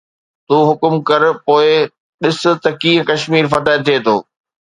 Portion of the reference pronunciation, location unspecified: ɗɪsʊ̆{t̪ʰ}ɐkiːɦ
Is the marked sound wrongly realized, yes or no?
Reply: yes